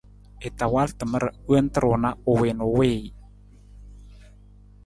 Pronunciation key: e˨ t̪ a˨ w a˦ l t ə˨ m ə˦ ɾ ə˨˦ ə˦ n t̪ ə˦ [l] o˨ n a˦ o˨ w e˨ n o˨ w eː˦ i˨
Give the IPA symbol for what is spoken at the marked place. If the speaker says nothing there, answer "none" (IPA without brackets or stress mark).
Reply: ɾ